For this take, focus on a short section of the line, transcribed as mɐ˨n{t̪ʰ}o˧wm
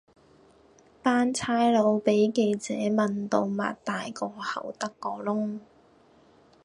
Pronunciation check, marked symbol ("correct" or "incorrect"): incorrect